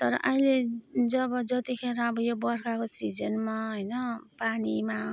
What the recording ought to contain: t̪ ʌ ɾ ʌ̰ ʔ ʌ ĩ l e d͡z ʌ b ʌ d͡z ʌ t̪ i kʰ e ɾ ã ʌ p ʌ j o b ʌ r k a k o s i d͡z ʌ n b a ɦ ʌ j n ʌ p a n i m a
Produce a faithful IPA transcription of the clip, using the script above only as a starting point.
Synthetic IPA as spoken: t̪ ʌ ɾ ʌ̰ ʔ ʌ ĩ l e d͡z ʌ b ʌ d͡z ʌ t̪ i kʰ e ɾ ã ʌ b ʌ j o b ʌ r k a k o s i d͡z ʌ n m a ɦ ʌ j n ʌ p a n i m a